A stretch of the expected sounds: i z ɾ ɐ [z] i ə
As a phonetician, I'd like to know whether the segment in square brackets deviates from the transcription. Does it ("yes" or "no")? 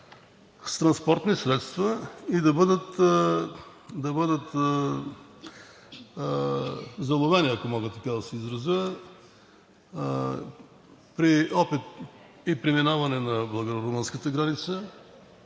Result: no